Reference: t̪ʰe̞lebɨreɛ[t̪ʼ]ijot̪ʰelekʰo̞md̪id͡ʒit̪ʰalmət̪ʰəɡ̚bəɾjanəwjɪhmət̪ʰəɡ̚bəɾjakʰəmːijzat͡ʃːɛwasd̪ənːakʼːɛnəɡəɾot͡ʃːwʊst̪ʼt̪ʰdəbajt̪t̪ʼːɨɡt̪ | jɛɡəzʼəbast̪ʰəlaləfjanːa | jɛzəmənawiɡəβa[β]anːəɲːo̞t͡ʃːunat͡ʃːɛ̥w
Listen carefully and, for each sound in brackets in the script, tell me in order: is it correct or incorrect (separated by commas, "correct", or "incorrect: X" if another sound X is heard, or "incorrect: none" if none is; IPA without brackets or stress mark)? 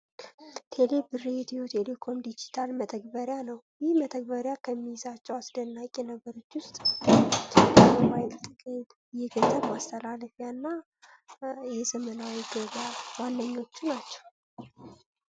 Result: incorrect: t̪, incorrect: w